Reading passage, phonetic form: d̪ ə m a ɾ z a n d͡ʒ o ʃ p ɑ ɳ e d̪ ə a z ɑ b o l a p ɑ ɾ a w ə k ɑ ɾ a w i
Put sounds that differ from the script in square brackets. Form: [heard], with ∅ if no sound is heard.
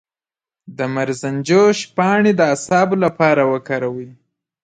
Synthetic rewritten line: d̪ ə m a ɾ z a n d͡ʒ o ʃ p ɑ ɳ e d̪ ə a [s] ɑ b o l a p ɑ ɾ a w ə k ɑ ɾ a w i